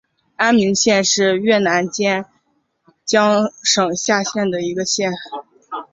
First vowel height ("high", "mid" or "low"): low